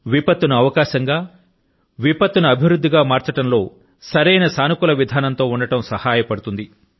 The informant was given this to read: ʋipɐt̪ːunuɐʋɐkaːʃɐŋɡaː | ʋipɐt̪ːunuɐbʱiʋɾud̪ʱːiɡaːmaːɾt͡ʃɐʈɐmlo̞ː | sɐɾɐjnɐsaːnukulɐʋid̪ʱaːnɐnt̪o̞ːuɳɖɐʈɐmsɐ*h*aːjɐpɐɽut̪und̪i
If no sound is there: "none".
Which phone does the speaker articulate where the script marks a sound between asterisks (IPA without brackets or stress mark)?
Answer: h